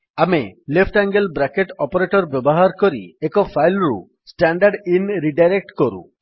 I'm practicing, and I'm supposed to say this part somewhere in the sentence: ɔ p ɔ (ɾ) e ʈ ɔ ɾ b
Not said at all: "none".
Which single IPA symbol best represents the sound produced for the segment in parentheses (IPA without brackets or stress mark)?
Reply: ɾ